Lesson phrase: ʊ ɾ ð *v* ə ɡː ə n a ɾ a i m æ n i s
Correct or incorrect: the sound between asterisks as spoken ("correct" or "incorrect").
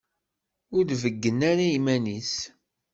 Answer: correct